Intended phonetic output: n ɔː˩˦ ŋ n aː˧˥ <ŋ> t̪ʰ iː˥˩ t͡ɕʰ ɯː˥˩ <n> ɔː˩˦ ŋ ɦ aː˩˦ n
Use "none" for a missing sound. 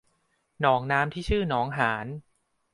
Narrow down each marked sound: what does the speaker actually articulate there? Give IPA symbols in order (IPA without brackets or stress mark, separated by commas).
m, n